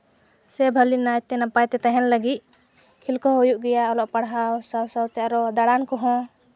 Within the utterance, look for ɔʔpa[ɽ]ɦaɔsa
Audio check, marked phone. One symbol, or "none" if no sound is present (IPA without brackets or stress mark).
ɽ